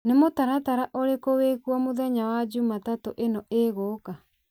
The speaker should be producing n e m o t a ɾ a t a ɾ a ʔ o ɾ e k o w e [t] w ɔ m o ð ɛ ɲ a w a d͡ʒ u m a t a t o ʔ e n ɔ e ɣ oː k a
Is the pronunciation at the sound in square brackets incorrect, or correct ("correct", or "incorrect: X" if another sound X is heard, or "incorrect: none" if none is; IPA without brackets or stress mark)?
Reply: incorrect: k